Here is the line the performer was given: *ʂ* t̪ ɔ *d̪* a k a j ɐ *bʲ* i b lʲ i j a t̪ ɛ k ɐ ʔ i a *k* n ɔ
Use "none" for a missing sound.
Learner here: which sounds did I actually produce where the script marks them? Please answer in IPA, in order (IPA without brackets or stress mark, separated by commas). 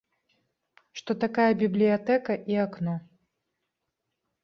ʂ, t̪, bʲ, k